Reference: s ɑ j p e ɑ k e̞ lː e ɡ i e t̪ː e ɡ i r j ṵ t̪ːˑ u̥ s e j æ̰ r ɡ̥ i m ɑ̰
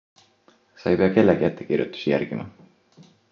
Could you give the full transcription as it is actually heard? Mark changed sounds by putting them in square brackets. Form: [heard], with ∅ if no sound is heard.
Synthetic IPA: s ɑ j p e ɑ k e̞ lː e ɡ i [æ] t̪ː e [k] i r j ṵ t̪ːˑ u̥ s [i] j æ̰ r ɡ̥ i m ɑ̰

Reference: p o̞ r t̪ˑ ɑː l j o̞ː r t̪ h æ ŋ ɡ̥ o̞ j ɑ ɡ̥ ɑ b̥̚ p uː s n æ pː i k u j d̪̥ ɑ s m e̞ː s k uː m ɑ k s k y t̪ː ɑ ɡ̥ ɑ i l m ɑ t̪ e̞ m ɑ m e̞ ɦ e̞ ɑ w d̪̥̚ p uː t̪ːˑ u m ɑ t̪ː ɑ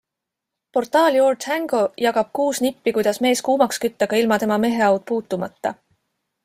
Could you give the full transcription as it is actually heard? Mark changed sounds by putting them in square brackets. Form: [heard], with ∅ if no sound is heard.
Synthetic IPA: p o̞ r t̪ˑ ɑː l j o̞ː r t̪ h æ ŋ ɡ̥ o̞ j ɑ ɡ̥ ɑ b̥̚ [k] uː s n [i] pː i k u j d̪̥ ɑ s m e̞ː s k uː m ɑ k s k y t̪ː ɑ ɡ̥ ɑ i l m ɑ t̪ e̞ m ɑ m e̞ ɦ e̞ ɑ w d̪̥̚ p uː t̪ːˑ u m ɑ t̪ː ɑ

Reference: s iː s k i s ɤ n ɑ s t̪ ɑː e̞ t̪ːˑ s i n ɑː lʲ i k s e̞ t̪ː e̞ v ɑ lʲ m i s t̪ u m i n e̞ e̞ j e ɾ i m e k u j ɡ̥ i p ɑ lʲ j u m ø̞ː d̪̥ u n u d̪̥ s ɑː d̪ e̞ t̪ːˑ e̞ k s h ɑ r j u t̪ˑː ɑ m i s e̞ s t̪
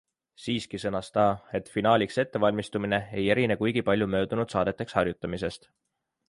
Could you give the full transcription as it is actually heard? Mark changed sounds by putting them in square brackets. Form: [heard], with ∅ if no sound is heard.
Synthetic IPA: s iː s k i s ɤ n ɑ s t̪ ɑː e̞ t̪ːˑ [f] i n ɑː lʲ i k s e̞ t̪ː e̞ v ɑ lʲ m i s t̪ u m i n e̞ e̞ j e ɾ i [n] e k u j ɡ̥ i p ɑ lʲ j u m ø̞ː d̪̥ u n u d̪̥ s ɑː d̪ e̞ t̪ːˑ e̞ k s h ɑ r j u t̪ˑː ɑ m i s e̞ s t̪

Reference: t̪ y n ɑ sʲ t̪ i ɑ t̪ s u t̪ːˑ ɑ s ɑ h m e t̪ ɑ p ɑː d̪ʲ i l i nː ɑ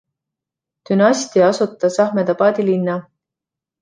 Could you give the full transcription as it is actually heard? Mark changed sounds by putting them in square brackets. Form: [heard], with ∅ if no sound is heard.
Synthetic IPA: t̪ y n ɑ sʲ t̪ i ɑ [∅] s u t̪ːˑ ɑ s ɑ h m e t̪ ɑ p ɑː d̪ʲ i l i nː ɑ

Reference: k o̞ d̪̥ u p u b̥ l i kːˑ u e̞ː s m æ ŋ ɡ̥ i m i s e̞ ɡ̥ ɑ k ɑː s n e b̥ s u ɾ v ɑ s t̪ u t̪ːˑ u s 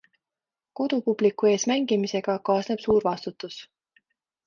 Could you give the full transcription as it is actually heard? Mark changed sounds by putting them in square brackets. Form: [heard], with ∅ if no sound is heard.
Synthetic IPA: k o̞ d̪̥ u p u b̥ l i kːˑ u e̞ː s m æ ŋ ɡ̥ i m i s e̞ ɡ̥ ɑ k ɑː s n e b̥ s [uː] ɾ v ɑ s t̪ u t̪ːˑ u s

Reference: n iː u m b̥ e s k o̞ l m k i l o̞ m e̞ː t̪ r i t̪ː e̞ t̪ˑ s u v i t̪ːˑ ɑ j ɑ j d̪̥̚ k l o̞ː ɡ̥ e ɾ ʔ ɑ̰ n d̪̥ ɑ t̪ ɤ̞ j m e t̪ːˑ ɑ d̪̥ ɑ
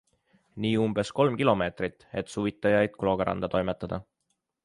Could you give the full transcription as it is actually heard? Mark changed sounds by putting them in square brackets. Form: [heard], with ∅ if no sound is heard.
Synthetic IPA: n iː u m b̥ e s k o̞ l m k i l o̞ m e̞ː t̪ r i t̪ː e̞ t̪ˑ s u v i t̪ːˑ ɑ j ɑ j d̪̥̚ k l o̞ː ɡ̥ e ɾ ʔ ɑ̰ n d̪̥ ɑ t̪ [o̞] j m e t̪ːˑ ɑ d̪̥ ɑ

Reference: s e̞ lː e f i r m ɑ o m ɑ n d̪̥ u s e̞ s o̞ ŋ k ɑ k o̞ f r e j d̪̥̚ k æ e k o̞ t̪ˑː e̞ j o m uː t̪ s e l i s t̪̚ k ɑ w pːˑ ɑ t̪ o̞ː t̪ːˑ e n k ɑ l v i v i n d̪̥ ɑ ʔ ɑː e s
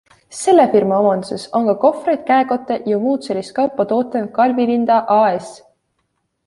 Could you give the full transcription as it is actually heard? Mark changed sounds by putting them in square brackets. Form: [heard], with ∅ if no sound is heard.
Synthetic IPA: s e̞ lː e f i r m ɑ o m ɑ n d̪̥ u s e̞ s o̞ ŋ k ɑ k o̞ f r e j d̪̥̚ k æ e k o̞ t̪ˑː e̞ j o m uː t̪ s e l i s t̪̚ k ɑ w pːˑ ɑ t̪ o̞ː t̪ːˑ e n k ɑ l v i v i n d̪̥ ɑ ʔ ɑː e s

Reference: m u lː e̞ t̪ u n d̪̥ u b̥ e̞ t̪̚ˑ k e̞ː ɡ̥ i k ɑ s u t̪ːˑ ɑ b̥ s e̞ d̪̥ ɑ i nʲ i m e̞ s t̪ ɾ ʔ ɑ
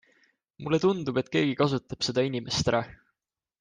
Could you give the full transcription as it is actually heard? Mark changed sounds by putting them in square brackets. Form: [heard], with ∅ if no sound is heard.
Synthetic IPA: m u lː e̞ t̪ u n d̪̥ u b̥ e̞ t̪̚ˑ k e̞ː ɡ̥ i k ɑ s u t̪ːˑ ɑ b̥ s e̞ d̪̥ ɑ i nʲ i m e̞ s t̪ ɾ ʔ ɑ

